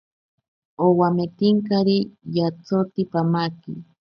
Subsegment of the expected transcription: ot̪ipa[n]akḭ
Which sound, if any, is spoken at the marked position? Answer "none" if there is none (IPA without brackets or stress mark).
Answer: m